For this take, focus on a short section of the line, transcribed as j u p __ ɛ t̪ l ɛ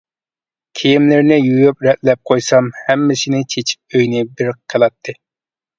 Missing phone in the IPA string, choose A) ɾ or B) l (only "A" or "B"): A